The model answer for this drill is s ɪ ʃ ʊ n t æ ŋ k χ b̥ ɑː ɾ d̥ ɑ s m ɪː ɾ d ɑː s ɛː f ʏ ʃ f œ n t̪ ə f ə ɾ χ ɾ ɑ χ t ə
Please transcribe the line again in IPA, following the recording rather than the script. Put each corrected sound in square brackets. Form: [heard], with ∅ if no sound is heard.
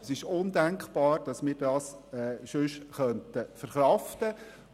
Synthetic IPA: s ɪ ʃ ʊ n [d] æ ŋ k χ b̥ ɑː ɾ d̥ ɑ s m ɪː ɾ d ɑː s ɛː [ʃ] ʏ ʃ [χ] œ n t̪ ə f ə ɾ χ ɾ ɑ [f] t ə